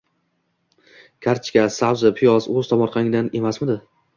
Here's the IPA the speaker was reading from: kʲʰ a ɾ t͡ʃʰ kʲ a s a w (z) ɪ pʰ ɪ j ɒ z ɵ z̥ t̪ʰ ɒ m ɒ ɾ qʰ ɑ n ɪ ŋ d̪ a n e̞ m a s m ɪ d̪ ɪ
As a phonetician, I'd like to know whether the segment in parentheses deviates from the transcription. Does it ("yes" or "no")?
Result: no